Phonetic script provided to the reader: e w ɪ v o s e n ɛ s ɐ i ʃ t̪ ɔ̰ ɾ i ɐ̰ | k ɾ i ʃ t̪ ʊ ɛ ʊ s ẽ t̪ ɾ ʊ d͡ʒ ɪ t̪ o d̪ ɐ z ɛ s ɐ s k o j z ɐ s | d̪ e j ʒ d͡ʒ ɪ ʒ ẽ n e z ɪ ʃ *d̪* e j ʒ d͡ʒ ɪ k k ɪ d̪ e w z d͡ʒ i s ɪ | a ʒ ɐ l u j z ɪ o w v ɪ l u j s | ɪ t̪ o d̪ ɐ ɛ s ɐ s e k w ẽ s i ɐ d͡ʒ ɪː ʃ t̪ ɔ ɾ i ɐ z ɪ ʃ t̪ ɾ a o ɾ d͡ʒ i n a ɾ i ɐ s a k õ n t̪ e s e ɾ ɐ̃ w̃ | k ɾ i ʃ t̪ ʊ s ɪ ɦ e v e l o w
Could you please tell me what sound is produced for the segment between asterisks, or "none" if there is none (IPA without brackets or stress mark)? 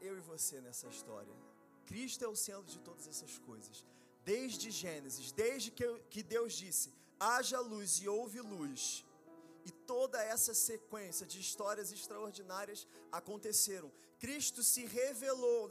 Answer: d̪